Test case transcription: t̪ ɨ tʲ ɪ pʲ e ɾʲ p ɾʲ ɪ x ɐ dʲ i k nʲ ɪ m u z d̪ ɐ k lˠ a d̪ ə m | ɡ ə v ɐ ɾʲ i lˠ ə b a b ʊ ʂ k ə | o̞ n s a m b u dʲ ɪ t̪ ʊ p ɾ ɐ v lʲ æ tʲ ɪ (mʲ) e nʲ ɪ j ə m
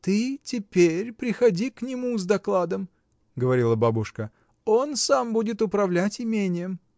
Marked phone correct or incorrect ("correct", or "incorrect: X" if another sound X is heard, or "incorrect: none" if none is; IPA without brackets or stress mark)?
correct